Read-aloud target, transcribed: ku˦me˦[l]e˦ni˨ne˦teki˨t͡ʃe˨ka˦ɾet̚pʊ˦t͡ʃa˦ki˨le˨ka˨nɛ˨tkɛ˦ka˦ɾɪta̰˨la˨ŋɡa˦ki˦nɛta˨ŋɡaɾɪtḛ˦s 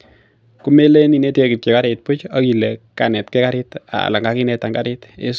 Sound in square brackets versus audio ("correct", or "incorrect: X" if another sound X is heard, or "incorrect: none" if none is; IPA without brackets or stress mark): correct